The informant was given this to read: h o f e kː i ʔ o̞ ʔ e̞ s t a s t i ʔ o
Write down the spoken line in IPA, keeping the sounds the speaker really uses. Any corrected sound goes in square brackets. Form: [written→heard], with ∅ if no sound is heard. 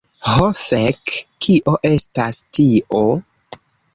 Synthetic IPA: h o f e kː i ʔ o̞ ʔ e̞ s t a s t i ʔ o